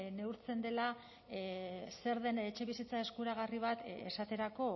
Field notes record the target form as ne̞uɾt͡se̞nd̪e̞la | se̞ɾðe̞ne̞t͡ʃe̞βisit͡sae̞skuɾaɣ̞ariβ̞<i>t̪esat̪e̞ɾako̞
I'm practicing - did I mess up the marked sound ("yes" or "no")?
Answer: yes